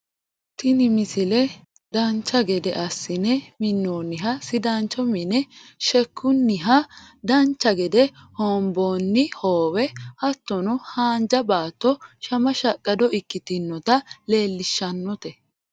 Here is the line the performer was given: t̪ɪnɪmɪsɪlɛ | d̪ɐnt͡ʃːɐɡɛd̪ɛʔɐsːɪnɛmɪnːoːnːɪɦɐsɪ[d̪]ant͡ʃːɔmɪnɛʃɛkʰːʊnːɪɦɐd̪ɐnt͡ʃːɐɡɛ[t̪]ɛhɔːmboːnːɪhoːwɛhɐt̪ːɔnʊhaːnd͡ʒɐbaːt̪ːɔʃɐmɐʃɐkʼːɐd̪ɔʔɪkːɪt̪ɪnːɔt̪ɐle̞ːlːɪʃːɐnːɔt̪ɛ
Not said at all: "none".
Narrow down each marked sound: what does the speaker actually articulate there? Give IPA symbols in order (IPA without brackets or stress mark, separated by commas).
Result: d̪, d̪